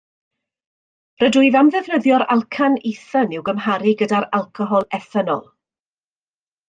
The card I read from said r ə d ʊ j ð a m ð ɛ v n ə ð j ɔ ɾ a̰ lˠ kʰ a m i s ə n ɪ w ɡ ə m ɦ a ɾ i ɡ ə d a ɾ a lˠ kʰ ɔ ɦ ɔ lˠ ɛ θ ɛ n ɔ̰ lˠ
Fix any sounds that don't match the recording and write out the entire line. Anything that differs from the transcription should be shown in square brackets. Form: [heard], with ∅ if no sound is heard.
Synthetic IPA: r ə d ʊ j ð a m ð ɛ v n ə ð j ɔ ɾ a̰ lˠ kʰ a [n] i [θ] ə n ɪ w ɡ ə m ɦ a ɾ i ɡ ə d a ɾ a lˠ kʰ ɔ ɦ ɔ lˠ ɛ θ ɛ n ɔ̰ lˠ